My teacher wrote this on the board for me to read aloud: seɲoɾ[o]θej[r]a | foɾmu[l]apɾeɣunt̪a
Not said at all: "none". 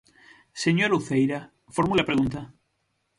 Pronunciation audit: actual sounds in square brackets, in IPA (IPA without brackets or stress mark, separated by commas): u, ɾ, l